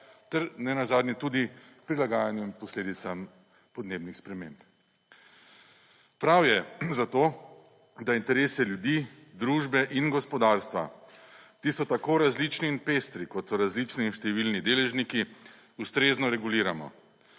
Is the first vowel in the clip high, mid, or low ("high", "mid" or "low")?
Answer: mid